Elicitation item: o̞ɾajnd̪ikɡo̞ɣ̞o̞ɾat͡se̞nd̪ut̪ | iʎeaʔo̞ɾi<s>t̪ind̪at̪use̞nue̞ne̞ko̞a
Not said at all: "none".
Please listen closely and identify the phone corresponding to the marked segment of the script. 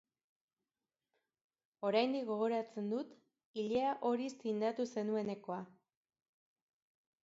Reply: s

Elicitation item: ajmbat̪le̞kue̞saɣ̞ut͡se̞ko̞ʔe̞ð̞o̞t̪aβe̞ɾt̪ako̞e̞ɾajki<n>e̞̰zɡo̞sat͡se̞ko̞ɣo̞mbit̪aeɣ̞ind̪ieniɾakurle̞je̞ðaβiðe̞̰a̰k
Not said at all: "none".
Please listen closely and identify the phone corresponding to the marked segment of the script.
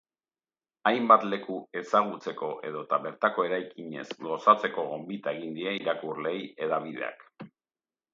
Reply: ɲ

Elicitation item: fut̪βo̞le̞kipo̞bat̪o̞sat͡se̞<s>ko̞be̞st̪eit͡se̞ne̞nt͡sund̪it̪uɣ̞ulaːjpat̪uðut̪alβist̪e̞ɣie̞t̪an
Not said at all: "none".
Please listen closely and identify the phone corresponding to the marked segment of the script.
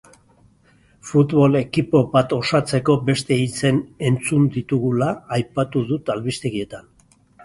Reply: none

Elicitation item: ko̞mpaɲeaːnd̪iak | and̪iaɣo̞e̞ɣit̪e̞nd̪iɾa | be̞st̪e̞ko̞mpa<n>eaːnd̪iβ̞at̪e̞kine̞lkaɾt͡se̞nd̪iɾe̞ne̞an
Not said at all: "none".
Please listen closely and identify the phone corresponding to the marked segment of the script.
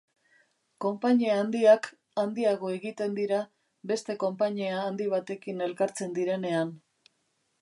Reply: ɲ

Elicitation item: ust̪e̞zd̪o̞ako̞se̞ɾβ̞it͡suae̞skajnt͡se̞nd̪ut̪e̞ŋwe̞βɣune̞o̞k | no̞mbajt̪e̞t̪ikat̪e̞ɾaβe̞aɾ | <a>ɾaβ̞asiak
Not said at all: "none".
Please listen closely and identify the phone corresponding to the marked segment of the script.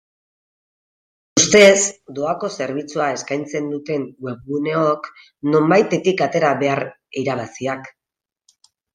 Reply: i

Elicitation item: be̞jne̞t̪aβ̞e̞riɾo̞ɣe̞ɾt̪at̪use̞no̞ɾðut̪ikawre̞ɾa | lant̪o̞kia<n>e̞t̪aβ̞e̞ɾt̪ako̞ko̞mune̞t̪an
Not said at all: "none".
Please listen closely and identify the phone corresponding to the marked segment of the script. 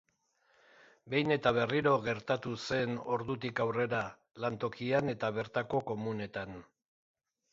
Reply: n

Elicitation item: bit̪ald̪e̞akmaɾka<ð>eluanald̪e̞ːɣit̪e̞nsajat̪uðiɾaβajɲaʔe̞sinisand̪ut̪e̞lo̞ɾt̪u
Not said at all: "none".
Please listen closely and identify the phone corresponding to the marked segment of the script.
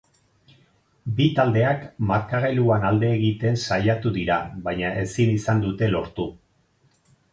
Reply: ɣ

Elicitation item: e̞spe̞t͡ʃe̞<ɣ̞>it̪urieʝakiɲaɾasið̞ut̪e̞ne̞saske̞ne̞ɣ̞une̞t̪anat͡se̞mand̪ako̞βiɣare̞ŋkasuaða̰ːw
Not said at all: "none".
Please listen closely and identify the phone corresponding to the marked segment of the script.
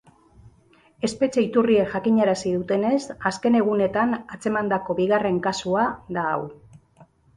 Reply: none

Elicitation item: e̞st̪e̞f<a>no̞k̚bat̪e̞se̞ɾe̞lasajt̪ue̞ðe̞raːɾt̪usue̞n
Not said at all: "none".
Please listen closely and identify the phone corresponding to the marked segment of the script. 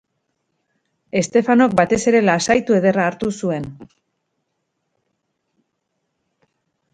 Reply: a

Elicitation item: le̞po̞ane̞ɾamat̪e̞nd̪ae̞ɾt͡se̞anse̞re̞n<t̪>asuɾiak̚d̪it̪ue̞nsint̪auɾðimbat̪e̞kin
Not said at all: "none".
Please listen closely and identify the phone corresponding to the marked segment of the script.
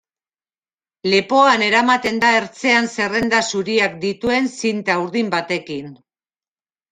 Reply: d̪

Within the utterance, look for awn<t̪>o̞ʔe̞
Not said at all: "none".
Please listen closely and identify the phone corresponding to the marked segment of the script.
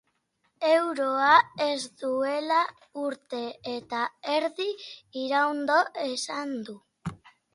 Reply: d̪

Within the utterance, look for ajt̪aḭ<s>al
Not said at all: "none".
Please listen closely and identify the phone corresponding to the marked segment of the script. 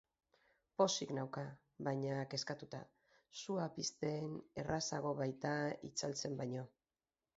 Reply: t͡s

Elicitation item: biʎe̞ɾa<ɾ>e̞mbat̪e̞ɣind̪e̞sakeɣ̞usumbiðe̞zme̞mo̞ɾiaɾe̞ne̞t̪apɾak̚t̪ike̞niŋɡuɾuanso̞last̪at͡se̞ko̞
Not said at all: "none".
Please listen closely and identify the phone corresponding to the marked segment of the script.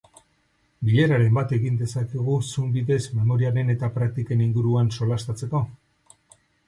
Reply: ɾ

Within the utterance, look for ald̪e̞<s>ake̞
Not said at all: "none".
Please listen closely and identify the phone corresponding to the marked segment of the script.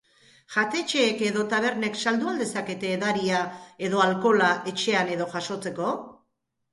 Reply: s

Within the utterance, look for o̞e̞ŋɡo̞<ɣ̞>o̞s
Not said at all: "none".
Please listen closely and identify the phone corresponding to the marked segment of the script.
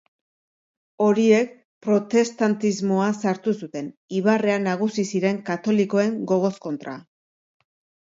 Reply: ɣ̞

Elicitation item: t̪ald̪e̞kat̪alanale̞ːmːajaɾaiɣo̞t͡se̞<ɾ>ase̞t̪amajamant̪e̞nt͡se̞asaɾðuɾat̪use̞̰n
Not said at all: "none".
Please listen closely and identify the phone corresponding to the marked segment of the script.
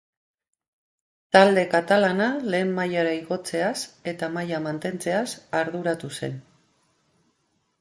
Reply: none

